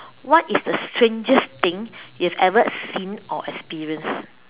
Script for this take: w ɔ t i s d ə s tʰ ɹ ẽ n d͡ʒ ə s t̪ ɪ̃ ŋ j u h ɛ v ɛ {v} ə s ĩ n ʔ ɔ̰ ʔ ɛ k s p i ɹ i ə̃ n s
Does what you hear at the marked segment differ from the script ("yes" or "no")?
no